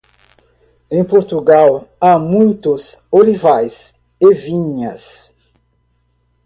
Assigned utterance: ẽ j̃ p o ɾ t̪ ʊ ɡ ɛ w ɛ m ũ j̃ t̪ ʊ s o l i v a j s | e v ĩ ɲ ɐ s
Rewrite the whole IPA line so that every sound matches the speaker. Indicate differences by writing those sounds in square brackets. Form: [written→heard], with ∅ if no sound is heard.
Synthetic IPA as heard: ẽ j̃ p o ɾ t̪ [ʊ→u] ɡ [ɛ→a] w [ɛ→a] m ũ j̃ t̪ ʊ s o l i v a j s | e v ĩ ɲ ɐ s